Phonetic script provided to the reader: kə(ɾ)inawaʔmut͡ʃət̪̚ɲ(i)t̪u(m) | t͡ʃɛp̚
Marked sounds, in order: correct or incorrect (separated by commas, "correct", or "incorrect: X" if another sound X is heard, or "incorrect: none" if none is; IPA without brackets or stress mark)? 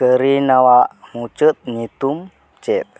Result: correct, correct, correct